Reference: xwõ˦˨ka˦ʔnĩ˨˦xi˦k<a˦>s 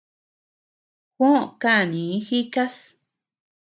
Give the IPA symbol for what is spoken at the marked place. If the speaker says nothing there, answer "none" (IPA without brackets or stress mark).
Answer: a˦